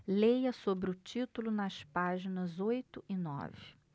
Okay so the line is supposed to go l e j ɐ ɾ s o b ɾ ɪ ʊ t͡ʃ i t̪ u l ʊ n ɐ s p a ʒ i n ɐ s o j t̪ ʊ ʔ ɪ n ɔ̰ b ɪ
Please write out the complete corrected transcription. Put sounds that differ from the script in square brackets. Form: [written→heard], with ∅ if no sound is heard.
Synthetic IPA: l e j ɐ [ɾ→∅] s o b ɾ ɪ ʊ t͡ʃ i t̪ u l ʊ n ɐ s p a ʒ i n ɐ [s→z] o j t̪ ʊ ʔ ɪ n ɔ̰ [b→v] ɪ